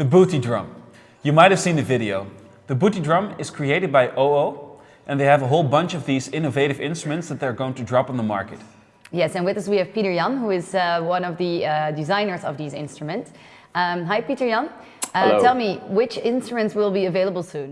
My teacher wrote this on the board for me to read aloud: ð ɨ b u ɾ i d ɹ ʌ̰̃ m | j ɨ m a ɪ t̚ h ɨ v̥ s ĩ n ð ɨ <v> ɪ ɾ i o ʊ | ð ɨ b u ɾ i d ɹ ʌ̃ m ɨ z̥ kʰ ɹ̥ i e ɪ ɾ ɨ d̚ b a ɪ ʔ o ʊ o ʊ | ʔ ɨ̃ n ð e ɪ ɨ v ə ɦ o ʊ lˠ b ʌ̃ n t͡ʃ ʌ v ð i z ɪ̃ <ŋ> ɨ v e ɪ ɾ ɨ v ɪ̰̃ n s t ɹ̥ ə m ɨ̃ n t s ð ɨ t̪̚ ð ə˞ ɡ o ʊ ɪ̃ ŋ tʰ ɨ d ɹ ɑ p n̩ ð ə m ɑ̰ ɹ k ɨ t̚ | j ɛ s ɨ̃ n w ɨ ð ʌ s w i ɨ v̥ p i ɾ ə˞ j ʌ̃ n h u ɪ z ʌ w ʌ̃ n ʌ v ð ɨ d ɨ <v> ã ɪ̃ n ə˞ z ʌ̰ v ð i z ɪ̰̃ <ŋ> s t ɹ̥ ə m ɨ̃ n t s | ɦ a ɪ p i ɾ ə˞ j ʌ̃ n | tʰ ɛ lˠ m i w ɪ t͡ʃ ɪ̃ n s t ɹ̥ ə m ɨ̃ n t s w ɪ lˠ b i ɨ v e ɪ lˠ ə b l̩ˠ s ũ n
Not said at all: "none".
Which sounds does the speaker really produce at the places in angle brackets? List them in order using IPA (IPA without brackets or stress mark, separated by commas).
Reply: v, n, z, n